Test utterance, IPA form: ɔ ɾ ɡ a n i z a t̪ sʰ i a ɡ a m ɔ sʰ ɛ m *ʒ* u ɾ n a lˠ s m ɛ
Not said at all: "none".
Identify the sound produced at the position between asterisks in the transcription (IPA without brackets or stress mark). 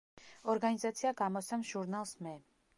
ʒ